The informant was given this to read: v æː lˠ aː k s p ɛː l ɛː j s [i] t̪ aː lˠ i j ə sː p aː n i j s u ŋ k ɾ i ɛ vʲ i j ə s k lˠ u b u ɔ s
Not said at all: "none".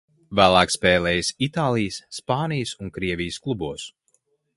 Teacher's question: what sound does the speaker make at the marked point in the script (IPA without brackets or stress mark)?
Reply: i